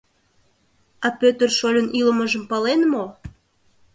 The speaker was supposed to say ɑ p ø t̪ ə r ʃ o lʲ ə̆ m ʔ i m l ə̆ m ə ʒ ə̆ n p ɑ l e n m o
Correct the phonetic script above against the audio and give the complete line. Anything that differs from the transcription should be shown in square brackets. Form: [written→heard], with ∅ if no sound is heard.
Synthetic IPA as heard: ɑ p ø t̪ ə r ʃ o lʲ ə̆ [m→n] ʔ i [m→∅] l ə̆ m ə ʒ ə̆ [n→m] p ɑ l e n m o